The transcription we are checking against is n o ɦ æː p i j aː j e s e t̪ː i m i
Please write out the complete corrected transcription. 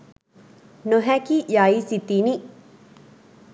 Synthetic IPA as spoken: n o ɦ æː k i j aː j i s i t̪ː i n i

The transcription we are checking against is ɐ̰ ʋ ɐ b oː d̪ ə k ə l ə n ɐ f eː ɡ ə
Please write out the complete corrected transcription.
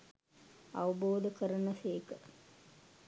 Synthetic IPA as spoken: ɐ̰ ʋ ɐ b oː d̪ ə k ə ɾ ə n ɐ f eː k ə

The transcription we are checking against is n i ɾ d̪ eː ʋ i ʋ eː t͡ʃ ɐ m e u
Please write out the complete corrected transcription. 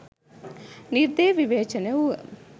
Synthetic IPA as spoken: n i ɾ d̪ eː ʋ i ʋ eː t͡ʃ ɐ n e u

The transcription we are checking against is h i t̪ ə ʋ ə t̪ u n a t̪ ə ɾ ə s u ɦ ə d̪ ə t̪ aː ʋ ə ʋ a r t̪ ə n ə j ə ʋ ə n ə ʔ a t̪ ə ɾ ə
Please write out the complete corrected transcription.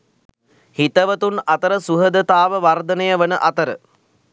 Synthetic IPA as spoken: h i t̪ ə ʋ ə t̪ u n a t̪ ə ɾ ə s u ɦ ə d̪ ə t̪ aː ʋ ə ʋ a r d̪ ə n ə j ə ʋ ə n ə ʔ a t̪ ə ɾ ə

